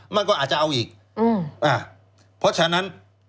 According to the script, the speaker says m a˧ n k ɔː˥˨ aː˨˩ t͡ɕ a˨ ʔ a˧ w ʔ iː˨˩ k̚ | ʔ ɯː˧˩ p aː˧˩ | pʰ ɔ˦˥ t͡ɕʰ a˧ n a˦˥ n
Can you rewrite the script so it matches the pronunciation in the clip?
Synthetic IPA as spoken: m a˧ n k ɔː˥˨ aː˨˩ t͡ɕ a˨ ʔ a˧ w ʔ iː˨˩ k̚ | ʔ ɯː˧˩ ʔ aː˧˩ | pʰ ɔ˦˥ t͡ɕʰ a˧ n a˦˥ n